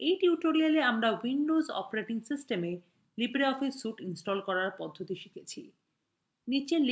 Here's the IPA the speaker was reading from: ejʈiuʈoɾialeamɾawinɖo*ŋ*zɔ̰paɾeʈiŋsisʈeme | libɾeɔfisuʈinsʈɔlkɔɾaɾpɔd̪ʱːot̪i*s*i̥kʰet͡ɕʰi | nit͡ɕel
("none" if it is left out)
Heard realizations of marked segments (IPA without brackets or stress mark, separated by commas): none, ʃ